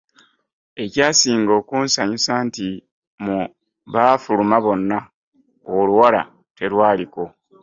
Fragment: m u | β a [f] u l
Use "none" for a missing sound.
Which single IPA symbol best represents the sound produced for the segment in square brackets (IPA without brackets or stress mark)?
f